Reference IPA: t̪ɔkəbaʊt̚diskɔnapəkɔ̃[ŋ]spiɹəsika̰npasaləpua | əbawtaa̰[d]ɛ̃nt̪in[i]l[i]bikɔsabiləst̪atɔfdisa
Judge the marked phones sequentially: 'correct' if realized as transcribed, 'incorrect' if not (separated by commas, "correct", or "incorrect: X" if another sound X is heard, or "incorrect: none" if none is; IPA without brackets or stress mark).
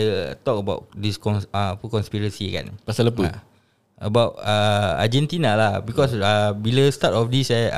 incorrect: n, incorrect: d͡ʒ, incorrect: a, incorrect: a